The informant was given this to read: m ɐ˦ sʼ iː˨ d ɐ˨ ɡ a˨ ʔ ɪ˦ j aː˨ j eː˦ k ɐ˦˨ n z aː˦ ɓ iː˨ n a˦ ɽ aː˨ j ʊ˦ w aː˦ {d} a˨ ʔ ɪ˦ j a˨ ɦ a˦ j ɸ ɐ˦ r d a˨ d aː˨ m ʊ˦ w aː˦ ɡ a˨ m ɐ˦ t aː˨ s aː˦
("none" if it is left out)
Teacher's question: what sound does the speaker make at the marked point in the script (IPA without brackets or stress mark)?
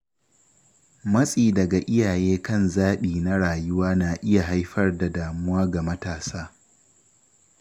n